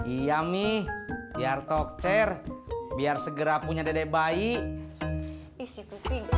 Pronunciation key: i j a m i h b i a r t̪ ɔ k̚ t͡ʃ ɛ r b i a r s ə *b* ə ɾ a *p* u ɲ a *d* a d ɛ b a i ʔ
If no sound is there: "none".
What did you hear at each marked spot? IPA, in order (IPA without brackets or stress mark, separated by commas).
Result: ɡ, p, d